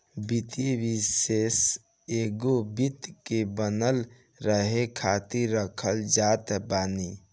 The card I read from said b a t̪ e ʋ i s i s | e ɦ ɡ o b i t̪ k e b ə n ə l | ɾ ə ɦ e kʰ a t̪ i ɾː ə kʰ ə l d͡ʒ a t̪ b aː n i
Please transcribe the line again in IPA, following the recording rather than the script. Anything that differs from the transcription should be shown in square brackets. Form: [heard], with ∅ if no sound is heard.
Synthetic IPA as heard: b [i] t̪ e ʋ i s [e] s | e [∅] ɡ o b i t̪ k e b ə n ə l | ɾ ə ɦ e kʰ a t̪ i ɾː ə kʰ ə l d͡ʒ a t̪ b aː n i